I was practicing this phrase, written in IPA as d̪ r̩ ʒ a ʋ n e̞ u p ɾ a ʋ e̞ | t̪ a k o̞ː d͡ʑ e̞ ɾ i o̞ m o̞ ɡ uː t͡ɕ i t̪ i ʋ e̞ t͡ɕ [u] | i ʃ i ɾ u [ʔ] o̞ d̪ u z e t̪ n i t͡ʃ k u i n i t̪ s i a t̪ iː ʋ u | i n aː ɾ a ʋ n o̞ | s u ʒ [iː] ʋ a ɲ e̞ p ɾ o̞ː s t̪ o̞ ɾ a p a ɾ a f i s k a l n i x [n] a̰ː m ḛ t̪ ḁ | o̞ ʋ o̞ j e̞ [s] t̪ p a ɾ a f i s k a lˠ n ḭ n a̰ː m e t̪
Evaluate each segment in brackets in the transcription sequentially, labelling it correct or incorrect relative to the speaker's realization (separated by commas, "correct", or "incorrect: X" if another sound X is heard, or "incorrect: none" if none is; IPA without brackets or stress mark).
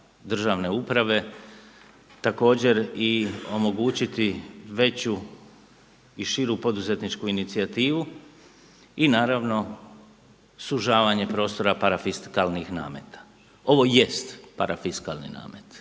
correct, incorrect: p, incorrect: aː, correct, correct